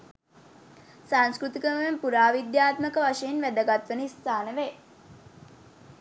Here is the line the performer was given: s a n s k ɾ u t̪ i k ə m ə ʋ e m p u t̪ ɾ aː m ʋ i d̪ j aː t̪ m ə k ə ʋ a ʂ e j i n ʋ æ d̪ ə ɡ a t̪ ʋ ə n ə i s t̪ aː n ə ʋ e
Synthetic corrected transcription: s a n s k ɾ u t̪ i k ə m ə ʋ e m p u ɾ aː ʋ i d̪ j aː t̪ m ə k ə ʋ a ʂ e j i n ʋ æ d̪ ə ɡ a t̪ ʋ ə n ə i s t̪ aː n ə ʋ e